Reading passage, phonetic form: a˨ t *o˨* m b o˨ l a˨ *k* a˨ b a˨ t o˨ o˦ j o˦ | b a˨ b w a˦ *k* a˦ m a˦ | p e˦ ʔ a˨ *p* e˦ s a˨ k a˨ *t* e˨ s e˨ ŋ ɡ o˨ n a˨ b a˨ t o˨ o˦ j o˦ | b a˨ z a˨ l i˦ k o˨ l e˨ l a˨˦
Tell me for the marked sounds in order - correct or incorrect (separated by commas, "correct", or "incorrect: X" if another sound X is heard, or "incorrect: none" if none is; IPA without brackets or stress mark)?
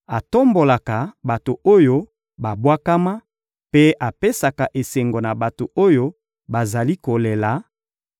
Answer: incorrect: o˦, correct, correct, correct, incorrect: ʔ